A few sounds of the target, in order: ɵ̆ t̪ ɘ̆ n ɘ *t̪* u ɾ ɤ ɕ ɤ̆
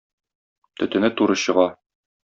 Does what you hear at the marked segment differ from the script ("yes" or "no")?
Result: no